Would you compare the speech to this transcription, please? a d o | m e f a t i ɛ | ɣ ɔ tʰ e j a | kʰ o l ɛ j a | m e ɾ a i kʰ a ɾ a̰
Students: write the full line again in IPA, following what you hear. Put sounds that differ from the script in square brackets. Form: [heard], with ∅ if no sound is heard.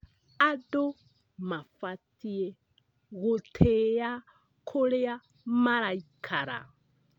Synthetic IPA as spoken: a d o | m [a] f a t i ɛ | ɣ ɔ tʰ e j a | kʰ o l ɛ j a | m [a] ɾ a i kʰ a ɾ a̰